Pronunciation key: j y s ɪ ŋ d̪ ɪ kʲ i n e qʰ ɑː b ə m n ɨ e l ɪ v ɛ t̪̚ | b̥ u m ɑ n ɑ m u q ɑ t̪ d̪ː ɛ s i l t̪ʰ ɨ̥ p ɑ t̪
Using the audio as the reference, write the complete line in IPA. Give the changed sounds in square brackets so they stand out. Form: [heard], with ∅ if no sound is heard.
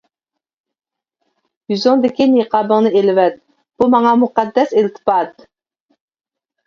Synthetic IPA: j y [z] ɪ ŋ d̪ ɪ kʲ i n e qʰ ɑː b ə [ŋ] n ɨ e l ɪ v ɛ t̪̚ | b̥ u m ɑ [ŋ] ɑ m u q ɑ [∅] d̪ː ɛ s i l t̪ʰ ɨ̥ p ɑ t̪